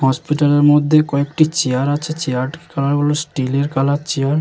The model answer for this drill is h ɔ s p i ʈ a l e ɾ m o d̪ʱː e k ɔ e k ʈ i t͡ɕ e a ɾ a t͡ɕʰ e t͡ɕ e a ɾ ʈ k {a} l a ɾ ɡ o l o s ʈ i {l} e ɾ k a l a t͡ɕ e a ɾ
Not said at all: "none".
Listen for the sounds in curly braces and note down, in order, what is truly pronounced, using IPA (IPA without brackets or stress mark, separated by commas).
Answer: a, l